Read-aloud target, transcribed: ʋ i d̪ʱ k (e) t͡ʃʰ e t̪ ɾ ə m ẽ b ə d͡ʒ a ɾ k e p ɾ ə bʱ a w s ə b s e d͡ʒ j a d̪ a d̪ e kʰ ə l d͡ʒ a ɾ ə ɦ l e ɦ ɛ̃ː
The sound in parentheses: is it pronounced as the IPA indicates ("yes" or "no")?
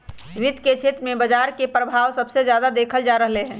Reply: yes